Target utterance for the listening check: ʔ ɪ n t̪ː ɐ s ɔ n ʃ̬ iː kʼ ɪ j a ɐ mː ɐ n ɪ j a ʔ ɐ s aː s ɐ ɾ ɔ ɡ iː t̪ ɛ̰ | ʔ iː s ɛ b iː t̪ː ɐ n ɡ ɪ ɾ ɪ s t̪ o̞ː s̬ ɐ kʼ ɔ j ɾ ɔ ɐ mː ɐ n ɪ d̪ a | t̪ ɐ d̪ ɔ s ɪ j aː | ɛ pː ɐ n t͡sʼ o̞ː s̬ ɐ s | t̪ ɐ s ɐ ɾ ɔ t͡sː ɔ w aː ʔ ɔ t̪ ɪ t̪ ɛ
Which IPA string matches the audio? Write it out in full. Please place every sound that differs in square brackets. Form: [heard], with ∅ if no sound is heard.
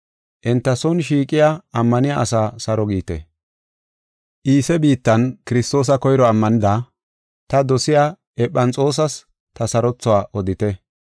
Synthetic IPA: ʔ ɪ n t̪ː ɐ s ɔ n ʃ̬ iː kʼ ɪ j a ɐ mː ɐ n ɪ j a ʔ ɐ s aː s ɐ ɾ ɔ ɡ iː t̪ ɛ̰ | ʔ iː s ɛ b iː t̪ː ɐ n [k] ɪ ɾ ɪ s t̪ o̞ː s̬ ɐ [k] ɔ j ɾ ɔ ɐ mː ɐ n ɪ d̪ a | t̪ ɐ d̪ ɔ s ɪ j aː | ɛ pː ɐ n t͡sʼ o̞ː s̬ ɐ s | t̪ ɐ s ɐ ɾ ɔ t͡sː ɔ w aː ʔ ɔ [d̪] ɪ t̪ ɛ